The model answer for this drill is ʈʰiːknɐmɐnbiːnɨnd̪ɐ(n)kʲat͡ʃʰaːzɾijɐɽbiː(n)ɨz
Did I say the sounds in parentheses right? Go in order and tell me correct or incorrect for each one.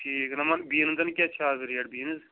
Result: correct, correct

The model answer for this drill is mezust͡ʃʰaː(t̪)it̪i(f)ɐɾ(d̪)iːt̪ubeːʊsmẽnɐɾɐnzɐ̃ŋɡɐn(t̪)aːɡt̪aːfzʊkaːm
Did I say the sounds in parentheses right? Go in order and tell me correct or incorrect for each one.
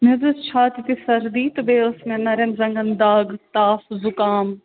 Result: correct, incorrect: s, correct, incorrect: d̪

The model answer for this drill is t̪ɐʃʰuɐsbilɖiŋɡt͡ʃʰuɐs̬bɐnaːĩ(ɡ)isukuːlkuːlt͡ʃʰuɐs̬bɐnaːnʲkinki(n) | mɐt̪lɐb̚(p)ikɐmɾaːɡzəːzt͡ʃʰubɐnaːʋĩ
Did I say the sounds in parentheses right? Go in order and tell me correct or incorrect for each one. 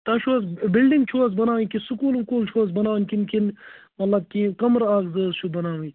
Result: incorrect: k, correct, incorrect: k

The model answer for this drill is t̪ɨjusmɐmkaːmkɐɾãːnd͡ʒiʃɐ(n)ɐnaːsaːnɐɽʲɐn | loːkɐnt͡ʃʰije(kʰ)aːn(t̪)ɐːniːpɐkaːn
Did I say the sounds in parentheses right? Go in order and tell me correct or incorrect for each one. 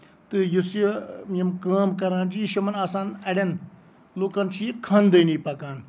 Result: incorrect: m, correct, incorrect: d̪

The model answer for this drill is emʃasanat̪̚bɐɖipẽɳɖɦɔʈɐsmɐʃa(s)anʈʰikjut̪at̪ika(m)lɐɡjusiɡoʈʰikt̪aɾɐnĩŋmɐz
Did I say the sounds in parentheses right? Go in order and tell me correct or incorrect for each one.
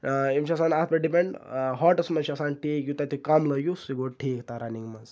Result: correct, correct

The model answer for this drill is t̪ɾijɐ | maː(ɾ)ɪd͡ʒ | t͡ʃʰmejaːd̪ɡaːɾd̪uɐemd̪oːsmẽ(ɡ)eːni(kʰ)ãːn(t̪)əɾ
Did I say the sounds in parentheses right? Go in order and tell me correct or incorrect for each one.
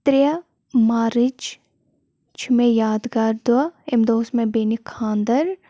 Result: correct, incorrect: b, correct, incorrect: d̪

